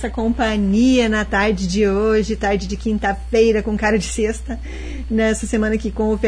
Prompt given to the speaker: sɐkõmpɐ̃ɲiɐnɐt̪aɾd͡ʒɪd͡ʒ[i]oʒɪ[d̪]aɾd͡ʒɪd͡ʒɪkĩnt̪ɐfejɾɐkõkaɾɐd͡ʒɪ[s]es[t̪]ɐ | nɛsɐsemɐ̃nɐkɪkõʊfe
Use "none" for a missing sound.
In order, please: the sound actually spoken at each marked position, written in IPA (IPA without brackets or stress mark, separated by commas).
ɪ, t̪, s, t̪